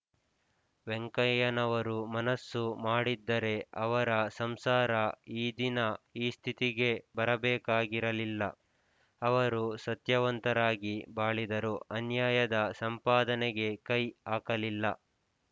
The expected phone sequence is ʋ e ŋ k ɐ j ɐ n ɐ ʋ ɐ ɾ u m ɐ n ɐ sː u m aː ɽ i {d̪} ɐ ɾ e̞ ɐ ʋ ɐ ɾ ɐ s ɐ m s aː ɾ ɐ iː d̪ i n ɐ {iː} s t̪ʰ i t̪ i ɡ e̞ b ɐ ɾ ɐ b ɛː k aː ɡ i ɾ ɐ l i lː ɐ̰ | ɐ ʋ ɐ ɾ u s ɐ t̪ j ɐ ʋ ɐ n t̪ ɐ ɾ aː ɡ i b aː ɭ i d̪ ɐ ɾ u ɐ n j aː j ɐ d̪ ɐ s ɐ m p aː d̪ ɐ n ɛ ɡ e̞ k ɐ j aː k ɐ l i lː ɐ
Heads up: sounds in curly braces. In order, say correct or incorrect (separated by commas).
incorrect, correct